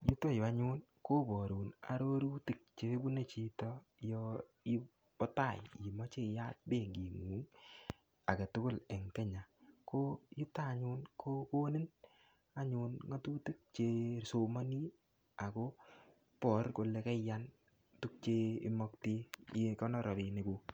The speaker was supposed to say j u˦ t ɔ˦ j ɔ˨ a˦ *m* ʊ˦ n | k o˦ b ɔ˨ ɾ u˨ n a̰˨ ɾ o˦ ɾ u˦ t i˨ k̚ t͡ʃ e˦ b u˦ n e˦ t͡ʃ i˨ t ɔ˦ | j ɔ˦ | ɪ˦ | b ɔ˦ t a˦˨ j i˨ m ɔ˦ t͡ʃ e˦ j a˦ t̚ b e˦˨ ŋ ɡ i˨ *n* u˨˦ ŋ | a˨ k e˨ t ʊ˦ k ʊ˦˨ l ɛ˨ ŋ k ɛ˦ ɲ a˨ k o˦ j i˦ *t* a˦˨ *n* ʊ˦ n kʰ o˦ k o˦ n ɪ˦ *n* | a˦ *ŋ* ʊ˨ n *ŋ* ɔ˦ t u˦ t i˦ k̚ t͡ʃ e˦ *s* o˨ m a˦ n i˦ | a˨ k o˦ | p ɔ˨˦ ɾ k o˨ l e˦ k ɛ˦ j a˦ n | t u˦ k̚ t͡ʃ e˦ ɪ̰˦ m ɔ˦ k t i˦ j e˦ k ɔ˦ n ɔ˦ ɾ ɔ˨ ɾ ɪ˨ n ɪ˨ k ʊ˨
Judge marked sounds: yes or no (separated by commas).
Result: no, no, yes, no, yes, no, yes, yes